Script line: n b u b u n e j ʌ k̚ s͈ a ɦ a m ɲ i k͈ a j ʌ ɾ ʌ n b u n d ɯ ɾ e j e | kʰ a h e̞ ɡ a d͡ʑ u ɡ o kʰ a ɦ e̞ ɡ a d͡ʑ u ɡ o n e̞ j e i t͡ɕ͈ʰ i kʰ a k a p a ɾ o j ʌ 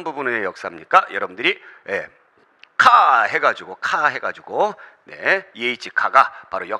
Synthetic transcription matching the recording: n b u b u n e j ʌ k̚ s͈ a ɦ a m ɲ i k͈ a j ʌ ɾ ʌ b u n d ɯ ɾ i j e | kʰ a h e̞ ɡ a d͡ʑ u ɡ o kʰ a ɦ e̞ ɡ a d͡ʑ u ɡ o n e̞ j e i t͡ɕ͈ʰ i kʰ a ɡ a p a ɾ o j ʌ